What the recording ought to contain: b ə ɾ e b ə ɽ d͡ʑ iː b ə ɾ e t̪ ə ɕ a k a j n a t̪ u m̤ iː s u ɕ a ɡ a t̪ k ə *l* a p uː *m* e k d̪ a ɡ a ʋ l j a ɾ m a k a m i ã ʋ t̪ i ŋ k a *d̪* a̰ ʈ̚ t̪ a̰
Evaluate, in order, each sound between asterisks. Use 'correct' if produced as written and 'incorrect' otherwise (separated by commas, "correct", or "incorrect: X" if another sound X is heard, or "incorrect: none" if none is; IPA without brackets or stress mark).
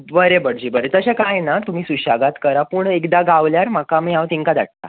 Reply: incorrect: ɾ, incorrect: ɳ, correct